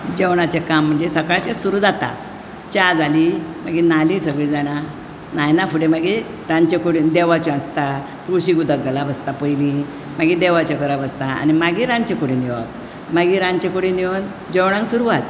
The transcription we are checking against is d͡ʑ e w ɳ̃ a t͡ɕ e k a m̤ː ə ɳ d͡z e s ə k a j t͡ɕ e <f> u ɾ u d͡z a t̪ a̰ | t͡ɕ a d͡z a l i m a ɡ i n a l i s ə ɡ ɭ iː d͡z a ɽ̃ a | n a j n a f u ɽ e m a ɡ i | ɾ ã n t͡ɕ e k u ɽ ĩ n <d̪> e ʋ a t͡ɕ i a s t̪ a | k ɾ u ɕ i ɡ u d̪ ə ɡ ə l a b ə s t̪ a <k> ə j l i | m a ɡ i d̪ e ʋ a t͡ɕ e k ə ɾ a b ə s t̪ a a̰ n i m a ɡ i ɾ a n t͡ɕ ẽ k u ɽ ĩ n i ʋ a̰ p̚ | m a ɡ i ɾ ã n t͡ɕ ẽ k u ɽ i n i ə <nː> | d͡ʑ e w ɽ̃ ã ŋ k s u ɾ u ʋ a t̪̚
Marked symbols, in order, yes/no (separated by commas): no, yes, no, no